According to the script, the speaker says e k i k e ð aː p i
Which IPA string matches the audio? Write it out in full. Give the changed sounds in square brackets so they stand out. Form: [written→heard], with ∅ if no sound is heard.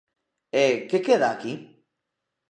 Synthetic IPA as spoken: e k [i→e] k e ð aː [p→k] i